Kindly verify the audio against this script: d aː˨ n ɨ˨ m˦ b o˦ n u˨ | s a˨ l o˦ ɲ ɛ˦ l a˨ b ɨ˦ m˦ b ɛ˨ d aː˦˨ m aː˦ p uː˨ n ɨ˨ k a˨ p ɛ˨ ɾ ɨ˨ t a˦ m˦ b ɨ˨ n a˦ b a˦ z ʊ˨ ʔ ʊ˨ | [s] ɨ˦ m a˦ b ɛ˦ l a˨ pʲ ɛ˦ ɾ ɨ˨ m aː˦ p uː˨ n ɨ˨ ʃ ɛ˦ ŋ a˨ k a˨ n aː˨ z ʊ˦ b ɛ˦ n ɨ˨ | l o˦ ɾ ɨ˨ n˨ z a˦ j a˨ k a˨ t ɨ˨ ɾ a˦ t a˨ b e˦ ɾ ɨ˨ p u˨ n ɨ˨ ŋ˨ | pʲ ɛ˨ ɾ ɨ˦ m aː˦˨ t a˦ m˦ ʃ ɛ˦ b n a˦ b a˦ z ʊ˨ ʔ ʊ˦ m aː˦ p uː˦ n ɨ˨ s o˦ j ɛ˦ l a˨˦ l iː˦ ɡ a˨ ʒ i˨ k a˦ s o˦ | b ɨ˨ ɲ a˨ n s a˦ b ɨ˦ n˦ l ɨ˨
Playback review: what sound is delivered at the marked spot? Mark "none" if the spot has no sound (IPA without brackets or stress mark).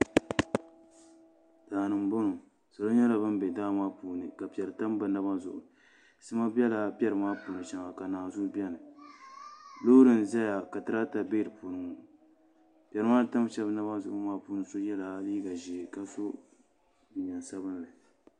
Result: s